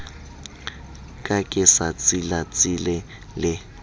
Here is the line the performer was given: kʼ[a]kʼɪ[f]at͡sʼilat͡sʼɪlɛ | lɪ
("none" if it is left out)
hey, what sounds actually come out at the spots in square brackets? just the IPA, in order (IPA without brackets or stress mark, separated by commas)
a, s